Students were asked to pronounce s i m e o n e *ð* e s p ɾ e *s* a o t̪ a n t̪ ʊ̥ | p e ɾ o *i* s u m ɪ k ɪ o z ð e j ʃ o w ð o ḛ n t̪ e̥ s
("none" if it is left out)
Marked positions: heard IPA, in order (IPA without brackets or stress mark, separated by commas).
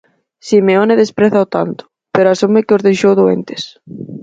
ð, θ, a